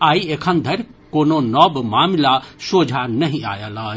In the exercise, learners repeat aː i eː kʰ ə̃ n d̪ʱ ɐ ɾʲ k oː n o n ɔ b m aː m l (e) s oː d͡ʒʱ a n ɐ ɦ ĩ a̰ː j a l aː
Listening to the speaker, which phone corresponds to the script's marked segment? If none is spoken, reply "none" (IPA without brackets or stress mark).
a